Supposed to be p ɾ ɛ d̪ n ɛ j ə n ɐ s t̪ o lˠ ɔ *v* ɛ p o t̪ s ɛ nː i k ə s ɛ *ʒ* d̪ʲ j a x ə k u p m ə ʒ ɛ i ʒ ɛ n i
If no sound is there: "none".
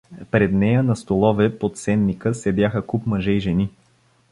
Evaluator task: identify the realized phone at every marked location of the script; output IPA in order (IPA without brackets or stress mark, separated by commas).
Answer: v, none